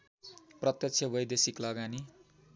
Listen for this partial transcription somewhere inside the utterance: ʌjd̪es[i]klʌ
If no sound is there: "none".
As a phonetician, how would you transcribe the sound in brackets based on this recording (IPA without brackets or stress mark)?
i